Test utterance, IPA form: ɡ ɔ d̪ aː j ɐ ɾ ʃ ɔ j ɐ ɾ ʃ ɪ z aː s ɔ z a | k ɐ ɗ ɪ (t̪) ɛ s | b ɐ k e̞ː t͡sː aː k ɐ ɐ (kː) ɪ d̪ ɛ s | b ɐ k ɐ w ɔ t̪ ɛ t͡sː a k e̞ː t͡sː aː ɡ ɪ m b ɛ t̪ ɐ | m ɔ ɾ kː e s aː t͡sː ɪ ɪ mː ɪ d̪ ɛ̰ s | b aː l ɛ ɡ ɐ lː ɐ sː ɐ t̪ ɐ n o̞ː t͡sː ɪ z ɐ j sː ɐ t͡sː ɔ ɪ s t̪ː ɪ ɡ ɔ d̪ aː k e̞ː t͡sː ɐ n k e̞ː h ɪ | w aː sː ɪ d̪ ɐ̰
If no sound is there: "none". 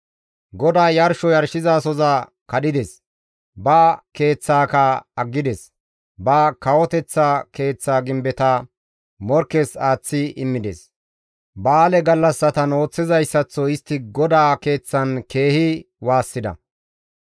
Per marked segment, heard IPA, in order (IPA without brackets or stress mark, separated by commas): d̪, ɡː